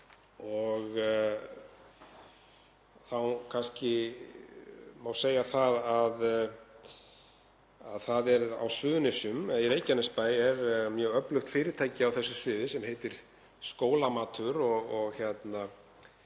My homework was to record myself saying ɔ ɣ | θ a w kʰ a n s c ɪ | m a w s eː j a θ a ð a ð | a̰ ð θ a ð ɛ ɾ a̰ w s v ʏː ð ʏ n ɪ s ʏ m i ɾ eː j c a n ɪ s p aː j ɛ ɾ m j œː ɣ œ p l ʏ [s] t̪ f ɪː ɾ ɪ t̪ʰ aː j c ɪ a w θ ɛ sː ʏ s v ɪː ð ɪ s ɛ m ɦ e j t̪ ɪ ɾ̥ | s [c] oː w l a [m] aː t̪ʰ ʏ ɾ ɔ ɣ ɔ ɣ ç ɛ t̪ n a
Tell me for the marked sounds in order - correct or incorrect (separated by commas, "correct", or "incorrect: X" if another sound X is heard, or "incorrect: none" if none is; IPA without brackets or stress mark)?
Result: incorrect: x, incorrect: k, correct